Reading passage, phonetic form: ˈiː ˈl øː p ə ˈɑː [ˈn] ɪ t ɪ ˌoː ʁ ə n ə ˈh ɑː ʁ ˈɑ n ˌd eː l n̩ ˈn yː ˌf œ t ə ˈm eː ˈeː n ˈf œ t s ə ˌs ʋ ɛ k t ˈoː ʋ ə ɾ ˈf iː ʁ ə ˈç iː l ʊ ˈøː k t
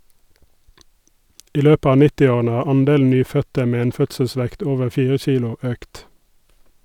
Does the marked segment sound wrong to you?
no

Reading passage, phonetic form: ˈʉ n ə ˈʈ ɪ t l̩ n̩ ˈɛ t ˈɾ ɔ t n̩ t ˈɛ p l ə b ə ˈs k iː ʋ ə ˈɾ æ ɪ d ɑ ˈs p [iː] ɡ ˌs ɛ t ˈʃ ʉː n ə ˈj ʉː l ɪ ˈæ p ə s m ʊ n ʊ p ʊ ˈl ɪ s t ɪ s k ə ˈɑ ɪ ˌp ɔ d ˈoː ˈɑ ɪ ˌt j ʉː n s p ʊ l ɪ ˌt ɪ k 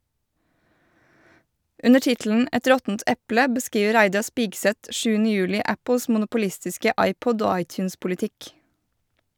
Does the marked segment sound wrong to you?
no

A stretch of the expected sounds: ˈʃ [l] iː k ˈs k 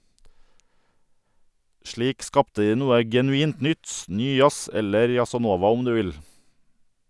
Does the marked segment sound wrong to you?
yes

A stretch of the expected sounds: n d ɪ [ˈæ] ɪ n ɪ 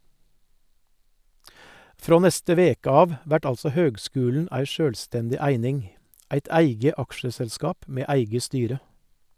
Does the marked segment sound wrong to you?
no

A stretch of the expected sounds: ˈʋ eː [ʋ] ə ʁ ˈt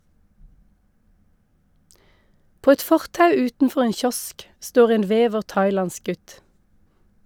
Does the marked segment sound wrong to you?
no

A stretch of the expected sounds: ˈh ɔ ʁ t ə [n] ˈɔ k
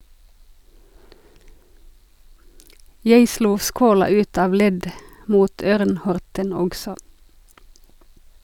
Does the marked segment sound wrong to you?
no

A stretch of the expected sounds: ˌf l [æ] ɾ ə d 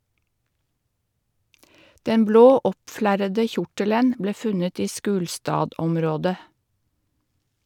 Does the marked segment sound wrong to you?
no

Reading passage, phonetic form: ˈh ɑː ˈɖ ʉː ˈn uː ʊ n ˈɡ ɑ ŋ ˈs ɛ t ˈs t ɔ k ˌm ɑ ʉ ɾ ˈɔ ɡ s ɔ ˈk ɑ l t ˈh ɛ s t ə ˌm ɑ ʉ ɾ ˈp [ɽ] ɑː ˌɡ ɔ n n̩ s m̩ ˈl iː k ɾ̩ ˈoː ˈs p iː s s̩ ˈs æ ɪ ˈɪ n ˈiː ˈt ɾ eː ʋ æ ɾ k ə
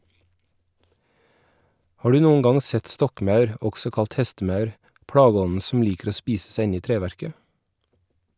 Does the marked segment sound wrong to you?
no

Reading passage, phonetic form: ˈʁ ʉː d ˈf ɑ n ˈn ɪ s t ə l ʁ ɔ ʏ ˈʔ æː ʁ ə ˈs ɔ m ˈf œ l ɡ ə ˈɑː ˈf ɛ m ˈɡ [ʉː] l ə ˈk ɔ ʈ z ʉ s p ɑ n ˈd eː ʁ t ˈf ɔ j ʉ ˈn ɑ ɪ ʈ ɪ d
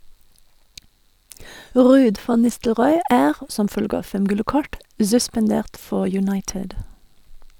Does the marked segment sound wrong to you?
yes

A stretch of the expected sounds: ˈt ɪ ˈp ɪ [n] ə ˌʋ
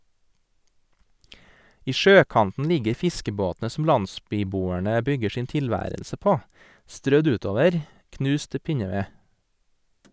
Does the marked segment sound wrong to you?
yes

